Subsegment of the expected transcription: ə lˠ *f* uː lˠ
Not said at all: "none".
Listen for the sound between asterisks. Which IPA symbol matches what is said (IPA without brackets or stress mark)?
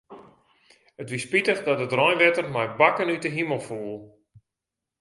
f